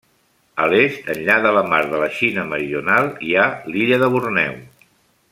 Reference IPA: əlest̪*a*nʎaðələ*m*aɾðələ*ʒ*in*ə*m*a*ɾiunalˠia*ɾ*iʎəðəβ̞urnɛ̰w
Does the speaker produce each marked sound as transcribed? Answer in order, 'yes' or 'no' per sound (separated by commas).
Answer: no, yes, no, yes, no, no